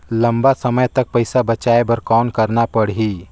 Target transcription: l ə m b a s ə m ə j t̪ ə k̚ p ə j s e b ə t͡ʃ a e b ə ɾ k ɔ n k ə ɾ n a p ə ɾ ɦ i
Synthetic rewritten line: l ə m b a s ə m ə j t̪ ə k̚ p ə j s a b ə t͡ʃ a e b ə ɾ k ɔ n k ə ɾ n a p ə ɽ ɦ i